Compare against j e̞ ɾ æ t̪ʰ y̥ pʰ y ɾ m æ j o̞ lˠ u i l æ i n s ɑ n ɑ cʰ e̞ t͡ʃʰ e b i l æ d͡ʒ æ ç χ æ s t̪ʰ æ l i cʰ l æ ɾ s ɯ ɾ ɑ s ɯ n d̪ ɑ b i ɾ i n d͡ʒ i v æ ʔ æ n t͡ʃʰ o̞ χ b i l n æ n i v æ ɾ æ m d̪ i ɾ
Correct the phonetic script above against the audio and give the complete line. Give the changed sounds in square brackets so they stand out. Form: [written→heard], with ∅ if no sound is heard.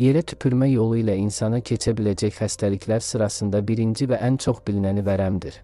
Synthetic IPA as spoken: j e̞ ɾ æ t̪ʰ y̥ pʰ y ɾ m æ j o̞ lˠ u i l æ i n s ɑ n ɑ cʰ e̞ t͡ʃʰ [e→æ] b i l æ d͡ʒ æ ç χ æ s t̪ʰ æ l i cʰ l æ ɾ s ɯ ɾ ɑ s ɯ n d̪ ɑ b i ɾ i n d͡ʒ i v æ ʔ æ n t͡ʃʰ o̞ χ b i l n æ n i v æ ɾ æ m d̪ i ɾ